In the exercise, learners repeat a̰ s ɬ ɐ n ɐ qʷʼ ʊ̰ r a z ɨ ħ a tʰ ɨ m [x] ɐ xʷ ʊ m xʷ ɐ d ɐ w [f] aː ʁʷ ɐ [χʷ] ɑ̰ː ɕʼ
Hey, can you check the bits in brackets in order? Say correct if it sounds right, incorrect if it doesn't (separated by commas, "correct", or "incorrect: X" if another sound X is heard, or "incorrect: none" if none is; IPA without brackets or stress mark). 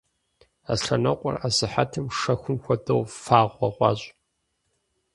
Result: incorrect: ʂ, correct, incorrect: ʁʷ